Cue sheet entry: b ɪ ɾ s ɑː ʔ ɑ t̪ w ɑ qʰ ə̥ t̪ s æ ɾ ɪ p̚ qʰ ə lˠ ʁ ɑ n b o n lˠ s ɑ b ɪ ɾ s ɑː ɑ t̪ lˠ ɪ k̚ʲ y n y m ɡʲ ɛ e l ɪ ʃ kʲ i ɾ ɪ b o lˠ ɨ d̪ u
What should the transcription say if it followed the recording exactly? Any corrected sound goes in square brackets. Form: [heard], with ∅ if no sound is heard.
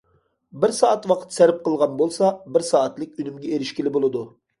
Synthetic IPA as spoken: b ɪ ɾ s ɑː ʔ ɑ t̪ w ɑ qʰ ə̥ t̪ s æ ɾ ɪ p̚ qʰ ə lˠ ʁ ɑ n b o [∅] lˠ s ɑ b ɪ ɾ s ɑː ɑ t̪ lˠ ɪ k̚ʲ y n y m ɡʲ ɛ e [ɾ] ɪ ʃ kʲ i [l] ɪ b o lˠ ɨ d̪ u